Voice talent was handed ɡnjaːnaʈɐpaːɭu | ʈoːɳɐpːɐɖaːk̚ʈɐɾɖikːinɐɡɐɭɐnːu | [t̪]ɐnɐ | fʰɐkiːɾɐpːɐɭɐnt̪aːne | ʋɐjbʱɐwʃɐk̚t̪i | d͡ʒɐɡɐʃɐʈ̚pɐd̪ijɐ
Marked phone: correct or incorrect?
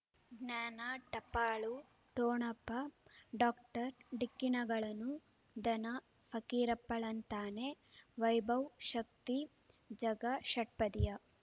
incorrect